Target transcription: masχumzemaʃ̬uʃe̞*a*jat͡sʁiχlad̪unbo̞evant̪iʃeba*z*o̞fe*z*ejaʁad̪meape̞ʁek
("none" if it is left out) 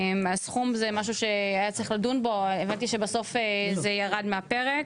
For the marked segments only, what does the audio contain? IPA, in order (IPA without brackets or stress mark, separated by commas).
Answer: a, s, z